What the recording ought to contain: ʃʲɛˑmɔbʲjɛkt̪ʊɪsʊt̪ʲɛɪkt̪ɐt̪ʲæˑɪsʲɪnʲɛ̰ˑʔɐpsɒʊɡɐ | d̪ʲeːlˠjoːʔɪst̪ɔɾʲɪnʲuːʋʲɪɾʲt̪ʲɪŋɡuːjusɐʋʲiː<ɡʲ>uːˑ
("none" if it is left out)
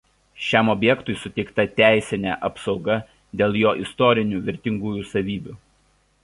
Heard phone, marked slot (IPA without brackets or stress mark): bʲ